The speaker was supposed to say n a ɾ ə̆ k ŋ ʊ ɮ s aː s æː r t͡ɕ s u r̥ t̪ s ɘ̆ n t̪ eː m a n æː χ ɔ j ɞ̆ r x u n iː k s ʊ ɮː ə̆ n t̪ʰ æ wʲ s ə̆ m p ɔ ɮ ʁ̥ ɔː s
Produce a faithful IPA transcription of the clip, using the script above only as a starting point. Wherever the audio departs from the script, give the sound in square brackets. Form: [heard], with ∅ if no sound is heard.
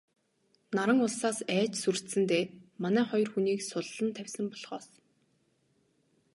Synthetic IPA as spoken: n a ɾ ə̆ [∅] ŋ ʊ ɮ s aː s æː [∅] t͡ɕ s u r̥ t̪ s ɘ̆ n t̪ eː m a n æː χ ɔ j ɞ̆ r x u n iː k s ʊ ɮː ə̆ n t̪ʰ æ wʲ s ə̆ m p ɔ ɮ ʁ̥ ɔː s